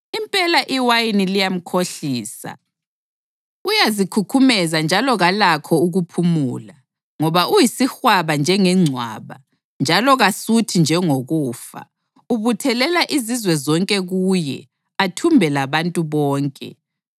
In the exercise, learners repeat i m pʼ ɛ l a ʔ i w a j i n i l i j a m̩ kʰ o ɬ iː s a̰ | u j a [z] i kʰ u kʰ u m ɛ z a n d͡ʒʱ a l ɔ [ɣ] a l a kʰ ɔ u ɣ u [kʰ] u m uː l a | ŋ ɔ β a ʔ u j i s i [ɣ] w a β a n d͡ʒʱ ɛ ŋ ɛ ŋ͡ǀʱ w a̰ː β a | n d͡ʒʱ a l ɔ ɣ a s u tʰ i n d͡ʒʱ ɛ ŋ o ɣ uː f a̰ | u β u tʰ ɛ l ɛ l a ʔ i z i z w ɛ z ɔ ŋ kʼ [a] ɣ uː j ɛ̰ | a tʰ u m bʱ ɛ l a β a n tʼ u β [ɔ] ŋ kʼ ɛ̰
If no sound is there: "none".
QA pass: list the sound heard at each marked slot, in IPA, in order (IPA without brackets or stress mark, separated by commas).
z, ɣ, pʰ, x, ɛ, ɔː